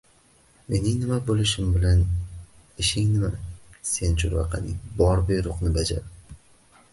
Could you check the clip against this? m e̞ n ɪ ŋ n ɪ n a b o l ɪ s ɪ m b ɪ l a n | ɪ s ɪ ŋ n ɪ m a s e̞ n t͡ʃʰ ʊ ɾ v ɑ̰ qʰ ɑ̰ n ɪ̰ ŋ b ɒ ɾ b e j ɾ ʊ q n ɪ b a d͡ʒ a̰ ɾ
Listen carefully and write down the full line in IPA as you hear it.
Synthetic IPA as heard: m e̞ n ɪ ŋ n ɪ m a b o l ɪ ʃ ɪ m b ɪ l a n | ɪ ʃ ɪ ŋ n ɪ m a s e̞ n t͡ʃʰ ʊ ɾ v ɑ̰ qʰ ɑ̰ n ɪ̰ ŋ b ɒ ɾ b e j ɾ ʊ q n ɪ b a d͡ʒ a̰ ɾ